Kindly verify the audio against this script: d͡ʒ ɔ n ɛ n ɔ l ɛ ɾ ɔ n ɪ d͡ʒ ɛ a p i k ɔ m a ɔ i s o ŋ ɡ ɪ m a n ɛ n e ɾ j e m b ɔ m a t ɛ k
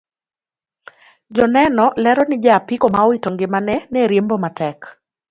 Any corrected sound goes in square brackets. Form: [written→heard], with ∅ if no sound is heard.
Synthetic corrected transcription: d͡ʒ ɔ n ɛ n ɔ l ɛ ɾ ɔ n ɪ d͡ʒ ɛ a p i k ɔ m a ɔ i [s→t] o ŋ ɡ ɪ m a n ɛ n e ɾ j e m b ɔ m a t ɛ k